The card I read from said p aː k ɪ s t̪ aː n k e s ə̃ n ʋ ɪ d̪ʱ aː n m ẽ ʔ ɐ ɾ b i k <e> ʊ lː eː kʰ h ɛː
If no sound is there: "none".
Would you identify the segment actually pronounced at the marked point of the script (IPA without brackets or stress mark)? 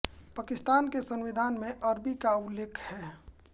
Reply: a